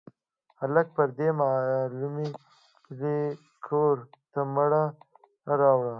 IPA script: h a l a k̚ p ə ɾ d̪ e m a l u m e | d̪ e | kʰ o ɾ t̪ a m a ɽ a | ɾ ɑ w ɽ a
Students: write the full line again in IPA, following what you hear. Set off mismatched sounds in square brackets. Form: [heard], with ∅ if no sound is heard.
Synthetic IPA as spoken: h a l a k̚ p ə ɾ d̪ e m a l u m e | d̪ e | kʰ o ɾ t̪ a m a ɽ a | ɾ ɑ w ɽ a